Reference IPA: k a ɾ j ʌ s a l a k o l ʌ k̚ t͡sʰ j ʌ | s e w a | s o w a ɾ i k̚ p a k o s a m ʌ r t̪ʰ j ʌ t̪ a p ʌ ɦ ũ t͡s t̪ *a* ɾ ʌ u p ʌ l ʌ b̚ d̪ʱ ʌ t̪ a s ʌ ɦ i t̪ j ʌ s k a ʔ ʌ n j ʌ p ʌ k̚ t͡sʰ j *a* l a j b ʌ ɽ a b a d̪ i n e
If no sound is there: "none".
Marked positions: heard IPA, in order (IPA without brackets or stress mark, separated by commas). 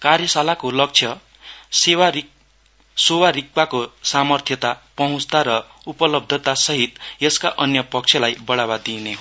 a, ʌ